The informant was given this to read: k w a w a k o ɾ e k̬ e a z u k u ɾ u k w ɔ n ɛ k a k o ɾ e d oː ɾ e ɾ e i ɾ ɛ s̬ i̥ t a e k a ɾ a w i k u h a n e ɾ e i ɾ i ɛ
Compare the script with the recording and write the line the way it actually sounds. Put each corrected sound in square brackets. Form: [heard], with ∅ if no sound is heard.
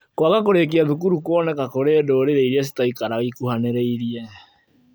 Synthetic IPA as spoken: k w a [ɣ] a k o ɾ e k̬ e a [ð] u k u ɾ u k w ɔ n ɛ k a k o ɾ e d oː ɾ e ɾ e i ɾ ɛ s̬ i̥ t a [i] k a ɾ a [ɣ] i k u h a n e ɾ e i ɾ i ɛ